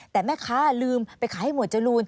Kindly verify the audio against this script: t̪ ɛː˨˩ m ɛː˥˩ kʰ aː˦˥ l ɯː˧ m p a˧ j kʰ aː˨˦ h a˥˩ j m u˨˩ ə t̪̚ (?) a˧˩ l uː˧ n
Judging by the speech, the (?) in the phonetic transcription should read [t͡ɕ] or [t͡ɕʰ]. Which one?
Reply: t͡ɕ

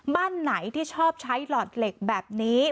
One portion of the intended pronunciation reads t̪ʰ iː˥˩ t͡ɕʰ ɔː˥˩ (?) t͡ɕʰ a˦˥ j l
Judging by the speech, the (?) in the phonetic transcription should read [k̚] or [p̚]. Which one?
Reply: p̚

